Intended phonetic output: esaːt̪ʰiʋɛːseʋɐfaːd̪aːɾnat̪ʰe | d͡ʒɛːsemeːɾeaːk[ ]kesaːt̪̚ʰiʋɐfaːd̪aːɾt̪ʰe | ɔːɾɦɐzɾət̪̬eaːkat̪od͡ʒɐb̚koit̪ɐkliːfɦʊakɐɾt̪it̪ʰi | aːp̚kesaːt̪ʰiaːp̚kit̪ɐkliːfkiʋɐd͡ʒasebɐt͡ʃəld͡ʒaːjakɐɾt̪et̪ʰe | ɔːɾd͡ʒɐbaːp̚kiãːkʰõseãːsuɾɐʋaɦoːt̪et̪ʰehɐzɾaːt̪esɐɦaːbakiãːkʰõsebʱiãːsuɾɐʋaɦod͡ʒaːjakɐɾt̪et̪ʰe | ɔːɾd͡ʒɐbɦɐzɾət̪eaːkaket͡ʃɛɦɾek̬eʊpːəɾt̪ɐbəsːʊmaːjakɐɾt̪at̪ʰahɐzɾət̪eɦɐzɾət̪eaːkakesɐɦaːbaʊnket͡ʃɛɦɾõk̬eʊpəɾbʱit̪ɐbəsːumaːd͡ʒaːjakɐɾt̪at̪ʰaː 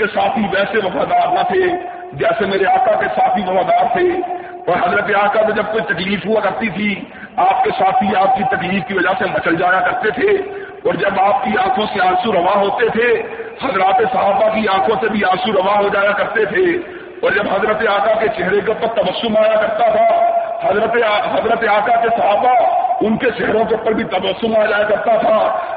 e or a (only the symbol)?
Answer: a